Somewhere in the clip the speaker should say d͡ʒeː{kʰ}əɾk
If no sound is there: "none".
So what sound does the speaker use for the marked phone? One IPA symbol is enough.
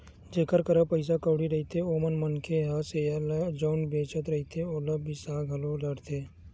k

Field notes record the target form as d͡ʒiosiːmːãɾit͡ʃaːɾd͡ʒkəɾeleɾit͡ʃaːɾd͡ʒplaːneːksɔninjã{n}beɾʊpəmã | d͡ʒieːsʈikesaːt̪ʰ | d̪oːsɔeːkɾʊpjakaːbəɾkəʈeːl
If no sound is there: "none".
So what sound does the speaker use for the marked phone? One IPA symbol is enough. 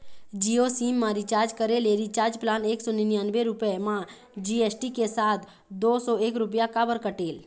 n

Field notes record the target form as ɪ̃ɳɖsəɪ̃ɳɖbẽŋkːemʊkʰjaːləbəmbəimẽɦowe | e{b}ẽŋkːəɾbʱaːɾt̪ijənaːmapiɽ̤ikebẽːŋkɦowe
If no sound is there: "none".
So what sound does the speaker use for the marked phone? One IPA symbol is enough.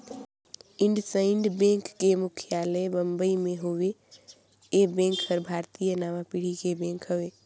b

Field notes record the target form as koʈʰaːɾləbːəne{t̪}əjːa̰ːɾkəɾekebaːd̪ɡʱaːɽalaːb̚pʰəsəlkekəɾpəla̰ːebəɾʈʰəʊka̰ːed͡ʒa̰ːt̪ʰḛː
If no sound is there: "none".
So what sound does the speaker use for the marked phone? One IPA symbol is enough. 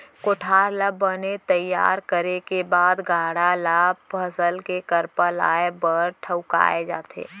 t̪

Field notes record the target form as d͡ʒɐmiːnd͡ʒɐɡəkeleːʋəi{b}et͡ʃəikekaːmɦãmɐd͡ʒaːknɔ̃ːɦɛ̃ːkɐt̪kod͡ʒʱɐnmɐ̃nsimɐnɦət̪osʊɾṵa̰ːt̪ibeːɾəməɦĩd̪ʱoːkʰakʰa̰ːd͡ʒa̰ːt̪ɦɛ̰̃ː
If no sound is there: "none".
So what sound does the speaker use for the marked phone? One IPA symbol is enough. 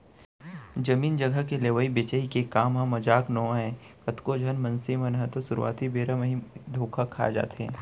b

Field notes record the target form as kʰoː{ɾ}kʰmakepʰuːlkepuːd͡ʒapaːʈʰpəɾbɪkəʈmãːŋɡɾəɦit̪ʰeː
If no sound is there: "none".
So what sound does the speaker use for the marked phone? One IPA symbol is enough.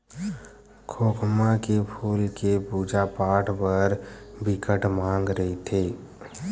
none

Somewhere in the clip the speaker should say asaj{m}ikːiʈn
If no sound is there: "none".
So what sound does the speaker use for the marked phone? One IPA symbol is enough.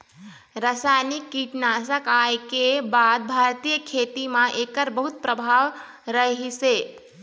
n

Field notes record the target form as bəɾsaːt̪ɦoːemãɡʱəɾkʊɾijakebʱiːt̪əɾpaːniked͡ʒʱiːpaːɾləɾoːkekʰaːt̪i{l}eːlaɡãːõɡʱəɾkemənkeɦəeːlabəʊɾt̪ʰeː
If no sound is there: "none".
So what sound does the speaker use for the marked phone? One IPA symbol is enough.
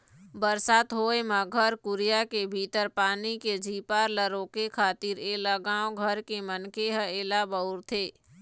ɾ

